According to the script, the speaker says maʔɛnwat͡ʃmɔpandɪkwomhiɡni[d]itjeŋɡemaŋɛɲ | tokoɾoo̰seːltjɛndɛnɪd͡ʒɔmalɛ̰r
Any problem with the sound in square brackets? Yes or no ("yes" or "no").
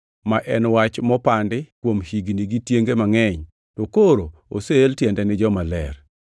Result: yes